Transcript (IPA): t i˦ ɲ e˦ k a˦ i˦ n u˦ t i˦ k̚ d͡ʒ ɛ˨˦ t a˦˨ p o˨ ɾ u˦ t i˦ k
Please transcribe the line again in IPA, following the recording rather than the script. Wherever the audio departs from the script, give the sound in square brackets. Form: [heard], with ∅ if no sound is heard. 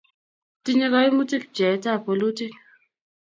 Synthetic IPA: t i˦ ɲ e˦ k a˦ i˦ [m] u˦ t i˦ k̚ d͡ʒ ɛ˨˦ t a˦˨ p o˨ [l] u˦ t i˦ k